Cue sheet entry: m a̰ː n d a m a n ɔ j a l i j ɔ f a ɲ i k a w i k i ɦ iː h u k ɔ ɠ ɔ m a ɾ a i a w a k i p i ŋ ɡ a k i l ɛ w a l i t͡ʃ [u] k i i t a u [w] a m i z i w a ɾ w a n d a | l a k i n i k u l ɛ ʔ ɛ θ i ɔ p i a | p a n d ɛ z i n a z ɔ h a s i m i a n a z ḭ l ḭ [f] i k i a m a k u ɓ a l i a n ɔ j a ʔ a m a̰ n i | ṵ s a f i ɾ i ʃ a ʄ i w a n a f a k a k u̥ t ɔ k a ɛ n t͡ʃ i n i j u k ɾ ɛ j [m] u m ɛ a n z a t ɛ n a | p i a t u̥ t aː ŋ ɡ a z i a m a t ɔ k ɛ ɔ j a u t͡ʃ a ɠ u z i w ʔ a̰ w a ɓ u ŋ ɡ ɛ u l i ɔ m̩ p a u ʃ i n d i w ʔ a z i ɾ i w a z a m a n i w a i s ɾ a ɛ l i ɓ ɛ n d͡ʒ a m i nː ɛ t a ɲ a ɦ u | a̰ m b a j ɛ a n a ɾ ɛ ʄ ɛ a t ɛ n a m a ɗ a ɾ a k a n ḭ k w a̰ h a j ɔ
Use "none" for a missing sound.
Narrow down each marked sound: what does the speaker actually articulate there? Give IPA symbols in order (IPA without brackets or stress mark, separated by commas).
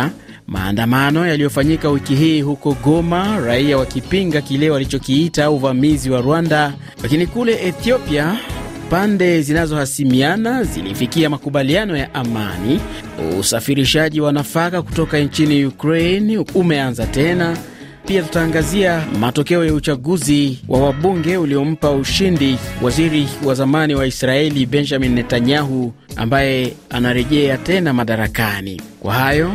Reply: ɔ, v, f, n